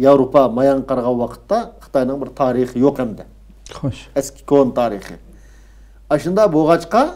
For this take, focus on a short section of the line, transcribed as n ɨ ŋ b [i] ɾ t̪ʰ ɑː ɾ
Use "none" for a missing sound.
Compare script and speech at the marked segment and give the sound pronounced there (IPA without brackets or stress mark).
ɪ